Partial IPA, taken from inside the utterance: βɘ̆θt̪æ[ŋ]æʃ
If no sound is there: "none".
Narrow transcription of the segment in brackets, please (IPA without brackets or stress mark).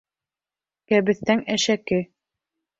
ŋ